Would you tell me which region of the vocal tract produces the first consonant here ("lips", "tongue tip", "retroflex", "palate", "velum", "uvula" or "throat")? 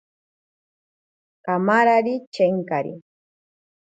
velum